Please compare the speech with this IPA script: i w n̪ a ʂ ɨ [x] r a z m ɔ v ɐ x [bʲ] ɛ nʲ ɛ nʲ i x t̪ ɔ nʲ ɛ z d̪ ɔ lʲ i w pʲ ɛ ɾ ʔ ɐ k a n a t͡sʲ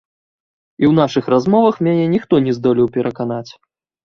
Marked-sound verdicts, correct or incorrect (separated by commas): correct, incorrect